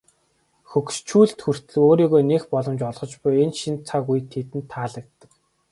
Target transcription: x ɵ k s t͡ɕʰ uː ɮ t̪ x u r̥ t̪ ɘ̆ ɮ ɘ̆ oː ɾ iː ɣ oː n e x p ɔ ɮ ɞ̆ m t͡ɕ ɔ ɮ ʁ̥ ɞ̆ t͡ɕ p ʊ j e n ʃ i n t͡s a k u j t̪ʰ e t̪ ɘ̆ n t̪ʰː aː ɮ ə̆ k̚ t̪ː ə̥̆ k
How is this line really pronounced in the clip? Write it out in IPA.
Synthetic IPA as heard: x ɵ k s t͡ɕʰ uː ɮ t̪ x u r̥ t̪ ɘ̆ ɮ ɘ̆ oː ɾ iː ɣ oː n e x p ɔ ɮ ɞ̆ m t͡ɕ ɔ ɮ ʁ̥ ɞ̆ t͡ɕ p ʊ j e n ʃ i n t͡sʰ a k u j t̪ʰ e t̪ ɘ̆ n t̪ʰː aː ɮ ə̆ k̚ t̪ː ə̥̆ k